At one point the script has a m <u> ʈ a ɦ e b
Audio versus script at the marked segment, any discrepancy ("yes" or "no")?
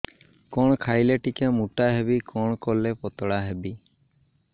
no